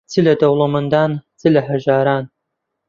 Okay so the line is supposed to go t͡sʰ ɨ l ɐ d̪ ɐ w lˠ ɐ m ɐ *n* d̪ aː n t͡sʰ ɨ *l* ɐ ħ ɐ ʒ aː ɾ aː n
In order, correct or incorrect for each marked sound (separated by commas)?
correct, correct